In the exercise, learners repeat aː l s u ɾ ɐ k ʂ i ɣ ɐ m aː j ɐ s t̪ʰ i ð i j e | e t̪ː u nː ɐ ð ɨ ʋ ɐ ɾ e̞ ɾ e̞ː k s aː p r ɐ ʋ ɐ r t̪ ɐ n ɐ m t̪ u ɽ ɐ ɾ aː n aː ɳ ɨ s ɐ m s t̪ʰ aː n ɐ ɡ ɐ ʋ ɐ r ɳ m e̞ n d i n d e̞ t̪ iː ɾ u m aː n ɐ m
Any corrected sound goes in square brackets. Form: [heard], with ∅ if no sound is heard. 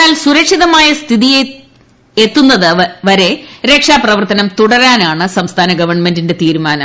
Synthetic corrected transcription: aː l s u ɾ ɐ k ʂ i [ð] ɐ m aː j ɐ s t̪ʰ i ð i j e | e t̪ː u nː ɐ ð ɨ ʋ ɐ ɾ e̞ ɾ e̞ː k [ʂ] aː p r ɐ ʋ ɐ r t̪ ɐ n ɐ m t̪ u ɽ ɐ ɾ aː n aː ɳ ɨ s ɐ m s t̪ʰ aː n ɐ ɡ ɐ ʋ ɐ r ɳ m e̞ n d i n d e̞ t̪ iː ɾ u m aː n ɐ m